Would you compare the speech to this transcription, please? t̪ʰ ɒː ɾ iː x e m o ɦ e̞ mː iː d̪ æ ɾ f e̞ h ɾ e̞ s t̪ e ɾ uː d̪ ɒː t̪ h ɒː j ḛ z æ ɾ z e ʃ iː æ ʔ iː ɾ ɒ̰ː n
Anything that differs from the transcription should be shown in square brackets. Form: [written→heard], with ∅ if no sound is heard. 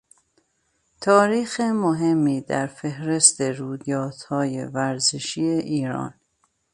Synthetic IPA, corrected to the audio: t̪ʰ ɒː ɾ iː x e m o ɦ e̞ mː iː d̪ æ ɾ f e̞ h ɾ e̞ s t̪ e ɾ uː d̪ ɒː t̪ h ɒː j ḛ [z→v] æ ɾ z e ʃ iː [æ→e] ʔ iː ɾ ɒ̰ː n